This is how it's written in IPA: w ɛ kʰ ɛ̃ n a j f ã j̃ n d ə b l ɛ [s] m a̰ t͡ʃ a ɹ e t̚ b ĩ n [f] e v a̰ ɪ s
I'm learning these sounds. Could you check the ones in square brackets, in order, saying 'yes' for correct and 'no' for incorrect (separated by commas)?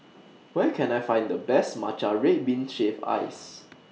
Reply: yes, no